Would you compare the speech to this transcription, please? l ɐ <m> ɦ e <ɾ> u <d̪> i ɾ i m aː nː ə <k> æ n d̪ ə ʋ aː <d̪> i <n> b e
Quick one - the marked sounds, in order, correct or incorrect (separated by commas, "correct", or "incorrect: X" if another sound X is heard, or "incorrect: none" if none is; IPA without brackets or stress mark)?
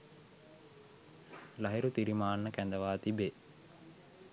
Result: incorrect: none, correct, incorrect: t̪, correct, incorrect: t̪, incorrect: none